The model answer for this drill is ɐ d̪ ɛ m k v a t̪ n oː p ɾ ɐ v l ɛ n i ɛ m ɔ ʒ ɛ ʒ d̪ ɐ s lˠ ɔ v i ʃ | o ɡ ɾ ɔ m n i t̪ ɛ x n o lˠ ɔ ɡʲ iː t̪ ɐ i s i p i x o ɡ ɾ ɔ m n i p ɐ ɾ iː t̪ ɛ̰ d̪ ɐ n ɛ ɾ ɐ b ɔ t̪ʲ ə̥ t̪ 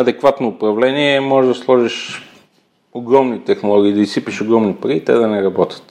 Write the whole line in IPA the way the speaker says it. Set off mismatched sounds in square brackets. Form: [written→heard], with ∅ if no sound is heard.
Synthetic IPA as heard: ɐ d̪ ɛ [m→∅] k v a t̪ n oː p ɾ ɐ v l ɛ n i ɛ m ɔ ʒ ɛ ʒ d̪ ɐ s lˠ ɔ [v→ʒ] i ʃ | o ɡ ɾ ɔ m n i t̪ ɛ x n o lˠ ɔ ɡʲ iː [t̪→d̪] ɐ i s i p i [x→ʃ] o ɡ ɾ ɔ m n i p ɐ ɾ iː t̪ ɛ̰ d̪ ɐ n ɛ ɾ ɐ b ɔ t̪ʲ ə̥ t̪